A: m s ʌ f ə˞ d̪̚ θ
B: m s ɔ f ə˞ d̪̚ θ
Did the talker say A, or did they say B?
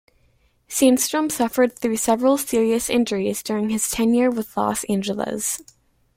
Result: A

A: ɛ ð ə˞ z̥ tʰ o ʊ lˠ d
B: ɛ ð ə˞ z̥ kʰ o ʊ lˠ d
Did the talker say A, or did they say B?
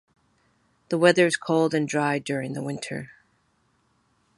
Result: B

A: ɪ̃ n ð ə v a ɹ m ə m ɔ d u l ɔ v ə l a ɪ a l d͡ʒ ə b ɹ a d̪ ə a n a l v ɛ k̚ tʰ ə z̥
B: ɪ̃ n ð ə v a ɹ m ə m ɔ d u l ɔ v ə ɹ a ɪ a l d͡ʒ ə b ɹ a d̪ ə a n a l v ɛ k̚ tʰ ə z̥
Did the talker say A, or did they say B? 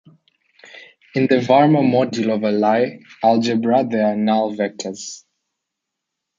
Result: A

